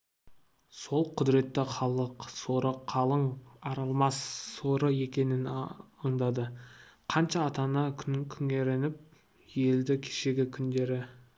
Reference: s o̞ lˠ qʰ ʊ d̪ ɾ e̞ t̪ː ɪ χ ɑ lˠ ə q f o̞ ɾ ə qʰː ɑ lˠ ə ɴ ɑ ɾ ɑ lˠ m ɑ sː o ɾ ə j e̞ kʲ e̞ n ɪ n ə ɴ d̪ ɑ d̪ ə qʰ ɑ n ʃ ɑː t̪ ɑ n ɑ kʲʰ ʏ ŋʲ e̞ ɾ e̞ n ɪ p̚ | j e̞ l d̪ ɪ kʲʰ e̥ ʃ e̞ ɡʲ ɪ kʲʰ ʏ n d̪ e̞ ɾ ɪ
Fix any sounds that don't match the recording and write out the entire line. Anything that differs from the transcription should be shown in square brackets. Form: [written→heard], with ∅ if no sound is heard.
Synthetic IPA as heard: s o̞ lˠ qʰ ʊ d̪ ɾ e̞ t̪ː ɪ χ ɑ lˠ ə q [f→s] o̞ ɾ ə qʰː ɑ lˠ ə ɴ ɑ ɾ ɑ lˠ m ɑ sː o ɾ ə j e̞ kʲ e̞ n ɪ n ə ɴ d̪ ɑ d̪ ə qʰ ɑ n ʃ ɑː t̪ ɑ n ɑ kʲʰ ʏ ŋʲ e̞ ɾ e̞ n ɪ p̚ | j e̞ l d̪ ɪ kʲʰ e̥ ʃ e̞ ɡʲ ɪ kʲʰ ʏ n d̪ e̞ ɾ ɪ